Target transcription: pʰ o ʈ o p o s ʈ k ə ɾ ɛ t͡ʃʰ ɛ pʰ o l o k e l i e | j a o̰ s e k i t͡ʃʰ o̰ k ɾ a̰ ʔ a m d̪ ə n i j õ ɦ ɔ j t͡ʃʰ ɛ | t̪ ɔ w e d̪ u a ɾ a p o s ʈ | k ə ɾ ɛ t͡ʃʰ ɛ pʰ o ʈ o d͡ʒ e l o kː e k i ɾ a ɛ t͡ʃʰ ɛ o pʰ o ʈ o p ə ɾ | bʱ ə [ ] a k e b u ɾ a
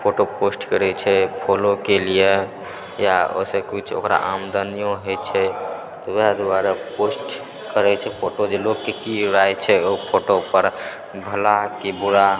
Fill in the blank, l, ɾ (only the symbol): l